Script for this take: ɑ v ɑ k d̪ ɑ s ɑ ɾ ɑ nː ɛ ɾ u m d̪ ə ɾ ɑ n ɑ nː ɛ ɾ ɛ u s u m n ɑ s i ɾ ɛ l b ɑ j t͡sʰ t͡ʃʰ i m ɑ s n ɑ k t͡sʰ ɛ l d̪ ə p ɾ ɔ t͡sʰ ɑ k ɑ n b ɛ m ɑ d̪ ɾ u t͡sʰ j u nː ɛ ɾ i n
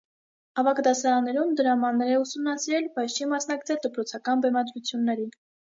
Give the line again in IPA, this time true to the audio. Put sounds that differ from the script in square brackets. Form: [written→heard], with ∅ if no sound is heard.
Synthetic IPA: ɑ v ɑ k d̪ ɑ s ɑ ɾ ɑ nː ɛ ɾ u m d̪ ə ɾ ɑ [n→m] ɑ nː ɛ ɾ ɛ u s u m n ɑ s i ɾ ɛ l b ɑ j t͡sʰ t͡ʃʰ i m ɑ s n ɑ k t͡sʰ ɛ l d̪ ə p ɾ ɔ t͡sʰ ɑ k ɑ n b ɛ m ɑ d̪ ɾ u t͡sʰ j u nː ɛ ɾ i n